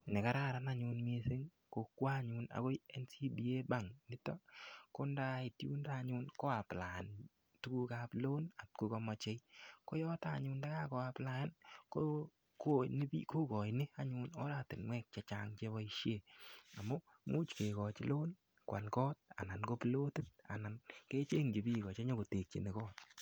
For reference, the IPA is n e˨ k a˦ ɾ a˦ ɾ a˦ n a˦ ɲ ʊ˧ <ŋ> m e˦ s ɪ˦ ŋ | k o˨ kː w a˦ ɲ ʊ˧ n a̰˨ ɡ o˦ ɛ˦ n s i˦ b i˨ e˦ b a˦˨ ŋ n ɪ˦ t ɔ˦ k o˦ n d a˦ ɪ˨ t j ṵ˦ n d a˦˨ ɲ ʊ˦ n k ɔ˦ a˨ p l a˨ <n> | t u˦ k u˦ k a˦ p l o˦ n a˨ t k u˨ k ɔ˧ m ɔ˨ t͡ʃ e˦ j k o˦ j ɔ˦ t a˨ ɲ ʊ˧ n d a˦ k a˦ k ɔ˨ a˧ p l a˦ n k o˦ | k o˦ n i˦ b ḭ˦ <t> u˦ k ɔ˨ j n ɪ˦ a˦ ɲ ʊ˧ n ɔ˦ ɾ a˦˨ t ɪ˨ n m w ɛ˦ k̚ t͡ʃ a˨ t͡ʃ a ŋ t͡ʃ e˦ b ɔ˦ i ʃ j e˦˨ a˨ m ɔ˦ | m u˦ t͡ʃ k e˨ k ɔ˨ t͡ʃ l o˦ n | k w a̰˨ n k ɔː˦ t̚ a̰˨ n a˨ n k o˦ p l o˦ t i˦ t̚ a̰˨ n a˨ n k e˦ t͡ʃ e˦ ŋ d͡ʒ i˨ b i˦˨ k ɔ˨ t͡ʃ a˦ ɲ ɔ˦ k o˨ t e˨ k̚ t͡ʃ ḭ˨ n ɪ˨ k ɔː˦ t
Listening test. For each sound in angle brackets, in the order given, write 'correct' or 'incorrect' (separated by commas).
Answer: incorrect, correct, incorrect